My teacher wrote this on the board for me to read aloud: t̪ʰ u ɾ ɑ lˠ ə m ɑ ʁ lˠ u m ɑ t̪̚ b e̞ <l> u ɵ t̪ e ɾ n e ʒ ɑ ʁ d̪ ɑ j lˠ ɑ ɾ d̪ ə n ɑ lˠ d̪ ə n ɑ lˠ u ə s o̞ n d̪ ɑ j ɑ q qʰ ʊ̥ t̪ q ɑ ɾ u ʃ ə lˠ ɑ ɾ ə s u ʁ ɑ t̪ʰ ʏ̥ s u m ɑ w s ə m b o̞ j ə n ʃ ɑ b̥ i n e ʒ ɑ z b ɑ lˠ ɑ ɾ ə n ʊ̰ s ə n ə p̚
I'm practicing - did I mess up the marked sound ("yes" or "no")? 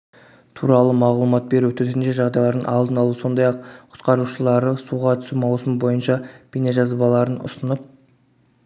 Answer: yes